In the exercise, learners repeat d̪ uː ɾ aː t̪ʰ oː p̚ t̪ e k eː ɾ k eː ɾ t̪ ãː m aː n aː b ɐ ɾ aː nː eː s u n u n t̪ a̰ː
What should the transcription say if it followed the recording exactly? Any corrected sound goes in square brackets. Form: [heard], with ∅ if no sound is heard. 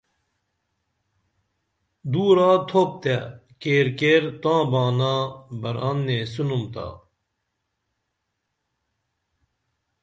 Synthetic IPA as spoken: d̪ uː ɾ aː t̪ʰ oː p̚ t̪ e k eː ɾ k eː ɾ t̪ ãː [b] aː n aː b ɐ ɾ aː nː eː s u n u [m] t̪ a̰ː